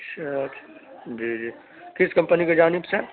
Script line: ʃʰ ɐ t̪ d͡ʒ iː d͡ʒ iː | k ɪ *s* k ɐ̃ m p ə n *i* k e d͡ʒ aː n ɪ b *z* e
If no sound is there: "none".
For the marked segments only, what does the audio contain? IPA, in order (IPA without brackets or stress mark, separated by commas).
s, i, s